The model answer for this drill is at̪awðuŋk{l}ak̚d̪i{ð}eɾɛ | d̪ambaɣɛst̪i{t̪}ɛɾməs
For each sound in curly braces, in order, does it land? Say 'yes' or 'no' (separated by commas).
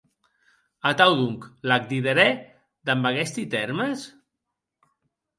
yes, yes, yes